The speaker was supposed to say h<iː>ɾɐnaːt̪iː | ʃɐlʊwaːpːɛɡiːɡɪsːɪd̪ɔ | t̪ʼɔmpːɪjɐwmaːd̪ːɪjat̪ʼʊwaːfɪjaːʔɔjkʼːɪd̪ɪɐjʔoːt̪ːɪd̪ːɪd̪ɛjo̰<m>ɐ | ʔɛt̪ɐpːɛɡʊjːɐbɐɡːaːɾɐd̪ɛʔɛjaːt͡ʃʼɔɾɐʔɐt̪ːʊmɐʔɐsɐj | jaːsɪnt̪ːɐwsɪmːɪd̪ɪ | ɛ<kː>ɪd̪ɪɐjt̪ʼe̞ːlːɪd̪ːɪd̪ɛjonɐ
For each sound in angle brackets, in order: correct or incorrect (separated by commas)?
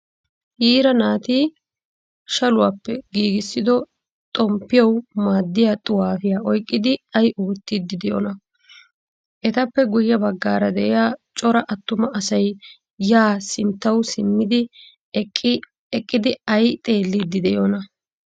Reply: correct, incorrect, incorrect